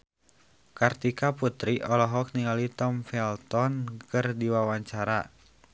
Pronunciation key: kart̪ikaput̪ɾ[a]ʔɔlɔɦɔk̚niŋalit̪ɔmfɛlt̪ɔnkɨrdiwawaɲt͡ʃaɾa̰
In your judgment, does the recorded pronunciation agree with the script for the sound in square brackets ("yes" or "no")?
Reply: no